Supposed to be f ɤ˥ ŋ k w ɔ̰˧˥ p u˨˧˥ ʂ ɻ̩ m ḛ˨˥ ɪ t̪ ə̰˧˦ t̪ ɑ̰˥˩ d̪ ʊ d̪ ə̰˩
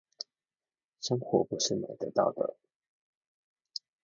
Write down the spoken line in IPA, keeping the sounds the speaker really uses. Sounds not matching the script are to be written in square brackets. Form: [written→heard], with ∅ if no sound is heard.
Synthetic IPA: [f→ʂ] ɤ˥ ŋ [k→x] w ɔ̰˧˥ p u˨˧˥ ʂ ɻ̩ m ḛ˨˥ ɪ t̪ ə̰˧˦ t̪ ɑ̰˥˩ [d̪→∅] ʊ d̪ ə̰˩

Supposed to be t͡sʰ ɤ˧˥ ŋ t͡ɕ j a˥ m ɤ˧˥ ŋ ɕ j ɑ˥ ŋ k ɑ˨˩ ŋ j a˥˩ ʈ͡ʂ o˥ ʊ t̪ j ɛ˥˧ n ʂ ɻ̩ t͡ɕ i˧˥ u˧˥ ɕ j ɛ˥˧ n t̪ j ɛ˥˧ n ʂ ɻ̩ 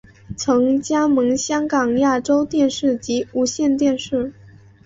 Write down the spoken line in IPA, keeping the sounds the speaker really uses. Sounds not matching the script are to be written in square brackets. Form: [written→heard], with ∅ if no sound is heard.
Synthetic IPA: t͡sʰ ɤ˧˥ ŋ t͡ɕ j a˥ m ɤ˧˥ ŋ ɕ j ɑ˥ ŋ k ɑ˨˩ ŋ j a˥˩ ʈ͡ʂ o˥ ʊ t̪ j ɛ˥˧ n ʂ ɻ̩ t͡ɕ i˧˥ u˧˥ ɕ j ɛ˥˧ n t̪ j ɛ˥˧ n ʂ ɻ̩

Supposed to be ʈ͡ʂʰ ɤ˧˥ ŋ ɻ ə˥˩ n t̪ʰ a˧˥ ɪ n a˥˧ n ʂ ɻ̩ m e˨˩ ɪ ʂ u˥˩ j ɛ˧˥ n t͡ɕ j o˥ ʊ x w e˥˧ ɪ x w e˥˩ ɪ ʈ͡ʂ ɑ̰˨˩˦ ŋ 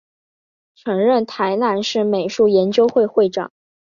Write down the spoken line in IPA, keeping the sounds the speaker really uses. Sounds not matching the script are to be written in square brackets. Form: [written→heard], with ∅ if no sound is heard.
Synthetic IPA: ʈ͡ʂʰ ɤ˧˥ ŋ ɻ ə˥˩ n t̪ʰ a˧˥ ɪ n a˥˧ n ʂ ɻ̩ m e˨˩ ɪ ʂ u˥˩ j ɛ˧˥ n t͡ɕ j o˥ ʊ x w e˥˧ ɪ x w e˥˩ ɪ ʈ͡ʂ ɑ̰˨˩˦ ŋ

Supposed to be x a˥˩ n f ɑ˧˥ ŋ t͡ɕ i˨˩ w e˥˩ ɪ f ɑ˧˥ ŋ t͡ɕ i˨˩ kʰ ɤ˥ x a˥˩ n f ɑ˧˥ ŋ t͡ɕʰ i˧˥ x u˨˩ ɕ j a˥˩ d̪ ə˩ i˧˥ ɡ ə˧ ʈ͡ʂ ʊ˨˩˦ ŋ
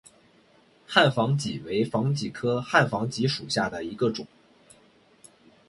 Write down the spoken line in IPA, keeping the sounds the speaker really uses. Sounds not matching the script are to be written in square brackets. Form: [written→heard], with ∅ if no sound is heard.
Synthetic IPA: x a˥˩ n f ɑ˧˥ ŋ t͡ɕ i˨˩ w [e˥˩→e˧˥] ɪ f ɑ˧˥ ŋ t͡ɕ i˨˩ kʰ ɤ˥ x a˥˩ n f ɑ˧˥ ŋ [t͡ɕʰ→t͡ɕ] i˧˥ [x→ʂ] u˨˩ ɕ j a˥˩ d̪ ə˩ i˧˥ ɡ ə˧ ʈ͡ʂ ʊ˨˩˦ ŋ

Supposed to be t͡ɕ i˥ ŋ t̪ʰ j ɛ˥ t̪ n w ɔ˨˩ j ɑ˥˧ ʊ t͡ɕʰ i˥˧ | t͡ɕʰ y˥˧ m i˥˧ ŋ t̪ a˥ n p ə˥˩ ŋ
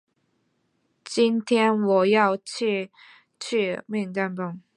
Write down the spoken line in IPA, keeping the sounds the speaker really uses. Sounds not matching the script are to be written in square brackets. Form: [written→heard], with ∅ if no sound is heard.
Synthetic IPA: t͡ɕ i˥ [ŋ→n] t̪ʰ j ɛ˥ [t̪→∅] n w ɔ˨˩ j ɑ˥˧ ʊ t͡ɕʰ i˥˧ | t͡ɕʰ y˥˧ m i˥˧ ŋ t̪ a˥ n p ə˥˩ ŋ

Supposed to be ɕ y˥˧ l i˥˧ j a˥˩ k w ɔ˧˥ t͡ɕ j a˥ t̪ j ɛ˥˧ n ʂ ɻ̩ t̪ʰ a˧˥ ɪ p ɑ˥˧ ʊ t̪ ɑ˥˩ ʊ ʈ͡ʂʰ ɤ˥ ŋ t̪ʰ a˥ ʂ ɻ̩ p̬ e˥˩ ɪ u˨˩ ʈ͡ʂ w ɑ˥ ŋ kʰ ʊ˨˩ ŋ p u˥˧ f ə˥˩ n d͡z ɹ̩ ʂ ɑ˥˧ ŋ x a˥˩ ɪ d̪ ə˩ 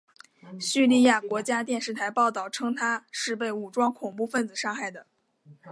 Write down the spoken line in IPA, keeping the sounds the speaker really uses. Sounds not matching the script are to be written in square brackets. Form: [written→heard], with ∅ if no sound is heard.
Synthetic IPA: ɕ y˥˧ l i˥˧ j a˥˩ k w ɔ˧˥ t͡ɕ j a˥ t̪ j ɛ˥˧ n ʂ ɻ̩ t̪ʰ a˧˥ ɪ p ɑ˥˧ ʊ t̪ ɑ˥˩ ʊ ʈ͡ʂʰ ɤ˥ ŋ t̪ʰ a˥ ʂ ɻ̩ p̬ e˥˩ ɪ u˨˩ ʈ͡ʂ w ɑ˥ ŋ kʰ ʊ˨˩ ŋ p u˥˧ f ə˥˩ n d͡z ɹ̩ ʂ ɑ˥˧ ŋ x a˥˩ ɪ d̪ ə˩

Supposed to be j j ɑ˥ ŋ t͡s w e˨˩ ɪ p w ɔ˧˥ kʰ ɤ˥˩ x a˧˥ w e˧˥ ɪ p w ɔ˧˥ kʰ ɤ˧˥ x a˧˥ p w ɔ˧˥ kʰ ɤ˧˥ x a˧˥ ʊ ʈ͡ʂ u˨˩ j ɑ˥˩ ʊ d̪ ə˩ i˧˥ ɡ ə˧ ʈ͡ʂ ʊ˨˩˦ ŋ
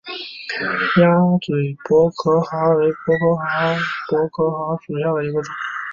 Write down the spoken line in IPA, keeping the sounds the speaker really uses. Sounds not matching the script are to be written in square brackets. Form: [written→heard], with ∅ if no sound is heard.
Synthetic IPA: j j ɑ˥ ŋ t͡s w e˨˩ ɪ p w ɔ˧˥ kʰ [ɤ˥˩→ɤ˧˥] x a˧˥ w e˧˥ ɪ p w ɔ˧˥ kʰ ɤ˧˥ x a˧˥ p w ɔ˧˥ kʰ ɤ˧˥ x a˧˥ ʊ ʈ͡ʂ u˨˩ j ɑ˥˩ ʊ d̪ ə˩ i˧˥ ɡ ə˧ ʈ͡ʂ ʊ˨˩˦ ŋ

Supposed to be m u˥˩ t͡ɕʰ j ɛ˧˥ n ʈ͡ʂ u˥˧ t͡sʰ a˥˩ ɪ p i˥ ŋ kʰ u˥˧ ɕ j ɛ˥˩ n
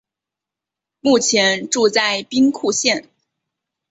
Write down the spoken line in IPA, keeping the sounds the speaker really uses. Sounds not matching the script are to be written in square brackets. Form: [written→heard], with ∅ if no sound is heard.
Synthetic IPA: m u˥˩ t͡ɕʰ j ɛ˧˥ n ʈ͡ʂ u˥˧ [t͡sʰ→t͡s] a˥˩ ɪ p i˥ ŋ kʰ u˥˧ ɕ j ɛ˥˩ n

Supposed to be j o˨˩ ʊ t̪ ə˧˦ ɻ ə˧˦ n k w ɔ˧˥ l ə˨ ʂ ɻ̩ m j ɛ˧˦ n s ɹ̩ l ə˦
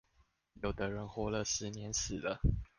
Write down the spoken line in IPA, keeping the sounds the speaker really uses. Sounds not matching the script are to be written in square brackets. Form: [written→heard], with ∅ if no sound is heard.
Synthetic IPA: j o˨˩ ʊ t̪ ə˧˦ ɻ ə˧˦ n [k→x] w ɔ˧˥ l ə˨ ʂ ɻ̩ [m→n] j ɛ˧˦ n s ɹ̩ l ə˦

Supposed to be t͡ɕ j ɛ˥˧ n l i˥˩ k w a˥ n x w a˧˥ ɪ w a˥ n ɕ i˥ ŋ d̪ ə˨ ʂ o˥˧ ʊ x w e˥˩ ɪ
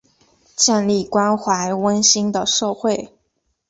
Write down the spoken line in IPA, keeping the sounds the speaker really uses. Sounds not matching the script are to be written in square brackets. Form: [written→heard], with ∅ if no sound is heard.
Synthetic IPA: t͡ɕ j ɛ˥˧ n l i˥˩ k w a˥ n x w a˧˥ ɪ w [a˥→ə˥] n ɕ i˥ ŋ d̪ ə˨ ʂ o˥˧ ʊ x w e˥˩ ɪ

